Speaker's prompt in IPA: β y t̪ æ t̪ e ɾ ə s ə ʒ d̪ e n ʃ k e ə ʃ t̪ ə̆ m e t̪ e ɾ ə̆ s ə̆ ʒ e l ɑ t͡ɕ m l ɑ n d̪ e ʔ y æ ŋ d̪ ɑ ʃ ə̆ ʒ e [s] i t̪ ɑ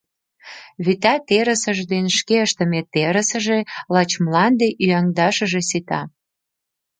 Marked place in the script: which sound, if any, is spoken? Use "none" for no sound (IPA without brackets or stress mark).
s